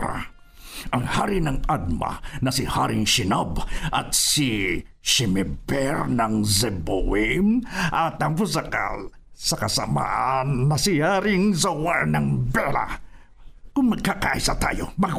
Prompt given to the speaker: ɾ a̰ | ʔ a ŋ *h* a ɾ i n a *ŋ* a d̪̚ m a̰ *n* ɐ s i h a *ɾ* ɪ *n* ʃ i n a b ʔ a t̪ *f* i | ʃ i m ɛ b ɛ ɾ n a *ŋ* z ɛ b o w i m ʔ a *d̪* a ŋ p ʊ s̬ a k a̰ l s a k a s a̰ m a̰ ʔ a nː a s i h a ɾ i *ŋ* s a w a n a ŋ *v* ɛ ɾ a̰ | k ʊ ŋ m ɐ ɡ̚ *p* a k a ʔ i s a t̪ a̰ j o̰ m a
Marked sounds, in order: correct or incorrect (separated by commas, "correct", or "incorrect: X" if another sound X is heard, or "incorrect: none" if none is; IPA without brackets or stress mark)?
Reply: correct, correct, correct, correct, incorrect: ŋ, incorrect: s, correct, incorrect: t̪, correct, incorrect: b, incorrect: k